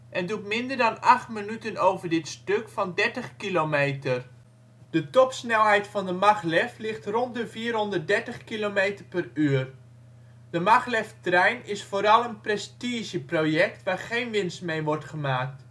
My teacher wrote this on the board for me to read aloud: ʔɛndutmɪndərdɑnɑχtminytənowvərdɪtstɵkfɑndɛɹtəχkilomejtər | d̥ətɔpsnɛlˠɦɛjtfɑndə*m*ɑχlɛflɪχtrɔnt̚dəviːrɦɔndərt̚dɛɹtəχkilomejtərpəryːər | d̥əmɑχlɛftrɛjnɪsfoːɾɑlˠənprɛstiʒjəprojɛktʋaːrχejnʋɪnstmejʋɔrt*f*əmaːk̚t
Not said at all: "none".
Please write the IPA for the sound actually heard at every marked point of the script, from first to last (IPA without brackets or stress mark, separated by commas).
m, χ